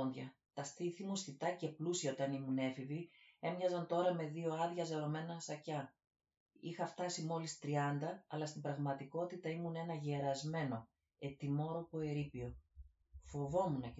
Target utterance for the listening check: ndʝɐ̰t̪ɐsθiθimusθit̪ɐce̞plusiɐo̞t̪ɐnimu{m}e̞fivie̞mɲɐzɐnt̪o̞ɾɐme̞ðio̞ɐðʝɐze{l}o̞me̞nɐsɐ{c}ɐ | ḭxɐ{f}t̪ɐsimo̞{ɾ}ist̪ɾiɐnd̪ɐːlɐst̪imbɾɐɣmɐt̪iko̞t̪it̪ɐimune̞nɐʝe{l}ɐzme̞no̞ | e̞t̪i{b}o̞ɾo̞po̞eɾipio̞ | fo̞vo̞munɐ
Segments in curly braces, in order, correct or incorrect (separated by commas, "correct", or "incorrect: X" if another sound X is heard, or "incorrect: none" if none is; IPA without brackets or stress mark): incorrect: n, incorrect: ɾ, correct, correct, incorrect: l, incorrect: ɾ, incorrect: m